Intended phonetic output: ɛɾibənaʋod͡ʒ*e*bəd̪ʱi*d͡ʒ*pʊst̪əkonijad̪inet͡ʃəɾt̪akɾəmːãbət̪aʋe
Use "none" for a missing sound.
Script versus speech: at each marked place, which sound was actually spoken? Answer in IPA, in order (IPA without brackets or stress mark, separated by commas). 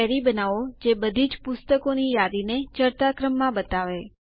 e, d͡ʒ